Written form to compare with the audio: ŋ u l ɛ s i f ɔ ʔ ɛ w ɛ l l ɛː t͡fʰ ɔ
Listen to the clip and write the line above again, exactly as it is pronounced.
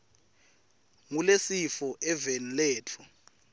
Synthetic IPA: ŋ u l e s i f ɔ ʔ ɛ v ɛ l l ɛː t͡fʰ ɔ